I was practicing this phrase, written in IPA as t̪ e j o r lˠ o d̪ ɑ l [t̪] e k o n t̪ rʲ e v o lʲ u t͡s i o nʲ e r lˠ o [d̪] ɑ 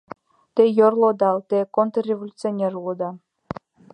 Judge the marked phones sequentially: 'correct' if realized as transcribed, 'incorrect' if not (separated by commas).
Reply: correct, correct